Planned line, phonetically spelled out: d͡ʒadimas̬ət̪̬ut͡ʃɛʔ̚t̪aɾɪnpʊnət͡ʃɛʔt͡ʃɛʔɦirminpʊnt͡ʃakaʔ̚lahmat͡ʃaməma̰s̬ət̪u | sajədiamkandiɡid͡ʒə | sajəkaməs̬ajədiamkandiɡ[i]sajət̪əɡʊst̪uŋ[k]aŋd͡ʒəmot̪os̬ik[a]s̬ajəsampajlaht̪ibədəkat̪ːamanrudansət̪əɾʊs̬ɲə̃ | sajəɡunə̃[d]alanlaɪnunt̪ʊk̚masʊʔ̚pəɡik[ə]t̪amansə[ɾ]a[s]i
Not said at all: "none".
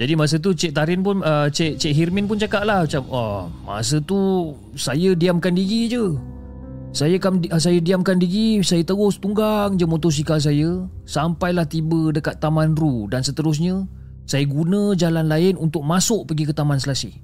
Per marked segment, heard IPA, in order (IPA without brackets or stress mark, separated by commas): i, ɡ, a, d͡ʒ, ə, l, s